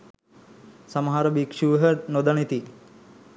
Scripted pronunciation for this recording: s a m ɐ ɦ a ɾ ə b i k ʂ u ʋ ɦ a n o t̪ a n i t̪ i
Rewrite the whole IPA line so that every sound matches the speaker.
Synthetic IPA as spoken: s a m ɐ ɦ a ɾ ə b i k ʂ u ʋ ɦ ə n o d̪ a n i t̪ i